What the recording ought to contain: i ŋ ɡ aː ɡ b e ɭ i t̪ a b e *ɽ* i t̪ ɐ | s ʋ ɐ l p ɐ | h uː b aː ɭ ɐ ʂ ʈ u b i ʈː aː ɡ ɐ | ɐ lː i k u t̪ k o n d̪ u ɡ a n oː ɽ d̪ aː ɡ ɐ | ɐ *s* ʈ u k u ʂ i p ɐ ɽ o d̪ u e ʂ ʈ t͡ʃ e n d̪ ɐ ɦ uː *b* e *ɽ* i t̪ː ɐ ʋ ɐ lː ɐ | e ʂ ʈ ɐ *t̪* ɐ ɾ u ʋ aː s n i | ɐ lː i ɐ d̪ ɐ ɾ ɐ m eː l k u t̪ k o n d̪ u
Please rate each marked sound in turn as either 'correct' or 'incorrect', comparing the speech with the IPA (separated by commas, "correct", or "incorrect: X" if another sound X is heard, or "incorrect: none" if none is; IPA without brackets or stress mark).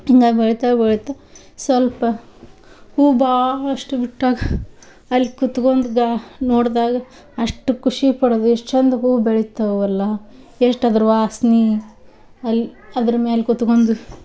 incorrect: ɭ, incorrect: ʂ, correct, incorrect: ɭ, incorrect: d̪